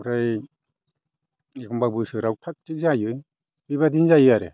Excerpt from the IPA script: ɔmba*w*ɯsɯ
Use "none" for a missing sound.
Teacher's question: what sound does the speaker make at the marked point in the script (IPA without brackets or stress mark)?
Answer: b